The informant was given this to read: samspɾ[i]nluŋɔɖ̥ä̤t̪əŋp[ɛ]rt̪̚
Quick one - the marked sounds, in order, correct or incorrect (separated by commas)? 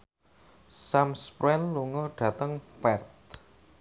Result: incorrect, correct